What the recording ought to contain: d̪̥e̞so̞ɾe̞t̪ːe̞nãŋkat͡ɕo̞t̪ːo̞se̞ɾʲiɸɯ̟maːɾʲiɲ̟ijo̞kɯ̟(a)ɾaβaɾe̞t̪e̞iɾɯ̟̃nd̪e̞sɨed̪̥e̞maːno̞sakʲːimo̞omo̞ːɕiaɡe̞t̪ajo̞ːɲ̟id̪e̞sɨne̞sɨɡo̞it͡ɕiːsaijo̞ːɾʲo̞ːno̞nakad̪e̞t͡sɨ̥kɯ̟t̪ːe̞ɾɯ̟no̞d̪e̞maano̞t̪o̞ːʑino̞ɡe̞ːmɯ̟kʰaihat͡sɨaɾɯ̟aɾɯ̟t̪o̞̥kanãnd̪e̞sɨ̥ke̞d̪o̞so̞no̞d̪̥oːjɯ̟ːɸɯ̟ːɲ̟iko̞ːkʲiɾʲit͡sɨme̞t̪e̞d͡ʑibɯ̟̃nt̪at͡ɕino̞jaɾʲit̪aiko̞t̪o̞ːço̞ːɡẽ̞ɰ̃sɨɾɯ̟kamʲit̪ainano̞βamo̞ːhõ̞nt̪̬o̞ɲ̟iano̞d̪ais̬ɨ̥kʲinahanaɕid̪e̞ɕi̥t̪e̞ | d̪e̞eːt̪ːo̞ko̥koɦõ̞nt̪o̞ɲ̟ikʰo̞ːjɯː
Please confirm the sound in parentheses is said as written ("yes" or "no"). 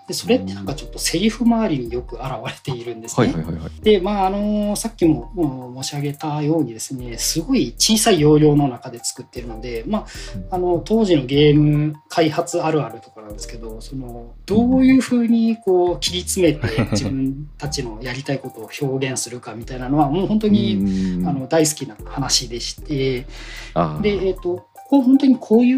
yes